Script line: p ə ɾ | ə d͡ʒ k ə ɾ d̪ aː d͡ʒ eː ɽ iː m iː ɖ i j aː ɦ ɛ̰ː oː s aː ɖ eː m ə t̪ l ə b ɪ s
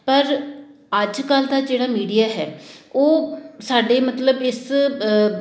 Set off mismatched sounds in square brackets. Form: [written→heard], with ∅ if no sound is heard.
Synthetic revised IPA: p ə ɾ | ə d͡ʒ k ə [ɾ→l] d̪ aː d͡ʒ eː ɽ [iː→aː] m iː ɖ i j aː ɦ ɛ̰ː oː s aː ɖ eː m ə t̪ l ə b ɪ s